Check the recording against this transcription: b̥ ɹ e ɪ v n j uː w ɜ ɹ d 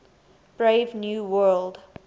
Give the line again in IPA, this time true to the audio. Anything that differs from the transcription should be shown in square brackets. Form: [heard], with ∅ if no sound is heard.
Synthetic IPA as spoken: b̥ ɹ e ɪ v n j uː w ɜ [l] d